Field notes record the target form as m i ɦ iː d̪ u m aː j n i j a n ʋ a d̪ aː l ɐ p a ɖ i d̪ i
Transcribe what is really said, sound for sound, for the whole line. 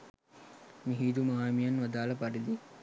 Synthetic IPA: m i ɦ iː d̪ u m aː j m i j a n ʋ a d̪ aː l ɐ p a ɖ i d̪ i